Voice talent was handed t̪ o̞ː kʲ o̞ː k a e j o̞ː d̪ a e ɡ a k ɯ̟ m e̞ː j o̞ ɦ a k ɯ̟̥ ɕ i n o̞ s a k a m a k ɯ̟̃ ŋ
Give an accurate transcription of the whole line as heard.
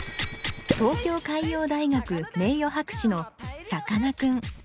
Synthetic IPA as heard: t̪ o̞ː kʲ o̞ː k a i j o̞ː d̪ a i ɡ a k ɯ̟ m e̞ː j o̞ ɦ a k ɯ̟̥ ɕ i n o̞ s a k a n a k ɯ̟̃ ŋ